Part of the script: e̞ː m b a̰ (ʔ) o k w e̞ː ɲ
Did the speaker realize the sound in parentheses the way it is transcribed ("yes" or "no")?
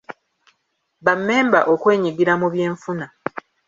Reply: yes